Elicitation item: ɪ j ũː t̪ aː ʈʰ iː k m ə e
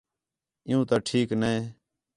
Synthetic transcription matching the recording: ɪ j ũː t̪ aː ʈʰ iː k n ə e